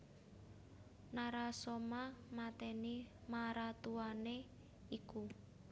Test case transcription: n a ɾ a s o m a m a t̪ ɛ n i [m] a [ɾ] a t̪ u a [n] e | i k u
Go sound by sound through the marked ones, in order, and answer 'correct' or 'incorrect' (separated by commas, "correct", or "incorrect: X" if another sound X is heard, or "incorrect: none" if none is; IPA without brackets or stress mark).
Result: correct, correct, correct